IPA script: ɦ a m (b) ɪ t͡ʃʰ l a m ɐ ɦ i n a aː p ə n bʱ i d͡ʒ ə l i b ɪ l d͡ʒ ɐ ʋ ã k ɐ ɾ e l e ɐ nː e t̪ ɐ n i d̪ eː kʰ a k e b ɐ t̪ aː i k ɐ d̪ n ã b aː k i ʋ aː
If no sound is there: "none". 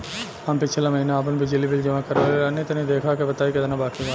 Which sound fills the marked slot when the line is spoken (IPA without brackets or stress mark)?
p